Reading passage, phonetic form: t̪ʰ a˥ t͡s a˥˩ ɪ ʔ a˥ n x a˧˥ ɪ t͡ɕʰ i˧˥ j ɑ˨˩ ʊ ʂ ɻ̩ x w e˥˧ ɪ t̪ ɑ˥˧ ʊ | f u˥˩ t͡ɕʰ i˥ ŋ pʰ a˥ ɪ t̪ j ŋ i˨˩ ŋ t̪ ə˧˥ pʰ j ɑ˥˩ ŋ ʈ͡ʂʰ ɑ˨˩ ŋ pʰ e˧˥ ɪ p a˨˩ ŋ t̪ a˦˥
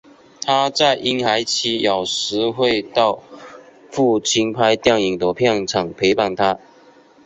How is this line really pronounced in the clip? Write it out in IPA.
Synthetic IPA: t̪ʰ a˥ t͡s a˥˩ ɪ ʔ i˥ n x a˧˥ ɪ t͡ɕʰ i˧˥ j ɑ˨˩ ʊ ʂ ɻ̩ x w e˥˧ ɪ t̪ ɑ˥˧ ʊ | f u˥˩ t͡ɕʰ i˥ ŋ pʰ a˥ ɪ t̪ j ŋ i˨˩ ŋ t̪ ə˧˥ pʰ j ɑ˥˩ ŋ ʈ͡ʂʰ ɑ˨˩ ŋ pʰ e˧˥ ɪ p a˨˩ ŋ t̪ʰ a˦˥